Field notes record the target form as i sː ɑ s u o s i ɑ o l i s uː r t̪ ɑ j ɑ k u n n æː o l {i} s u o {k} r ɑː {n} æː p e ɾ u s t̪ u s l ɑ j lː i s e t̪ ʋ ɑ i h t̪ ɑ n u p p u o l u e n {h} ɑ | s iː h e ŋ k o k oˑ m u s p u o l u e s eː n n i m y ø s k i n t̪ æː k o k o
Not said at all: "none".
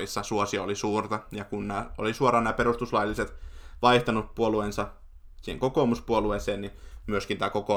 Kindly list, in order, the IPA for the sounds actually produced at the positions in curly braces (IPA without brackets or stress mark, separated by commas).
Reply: i, none, n, s